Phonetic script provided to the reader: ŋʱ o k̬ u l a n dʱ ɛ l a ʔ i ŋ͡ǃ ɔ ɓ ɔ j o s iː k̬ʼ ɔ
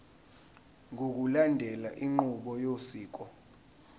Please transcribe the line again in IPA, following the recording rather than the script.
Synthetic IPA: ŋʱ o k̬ u l a n dʱ ɛ l a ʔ i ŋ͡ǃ u ɓ ɔ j o s iː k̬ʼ ɔ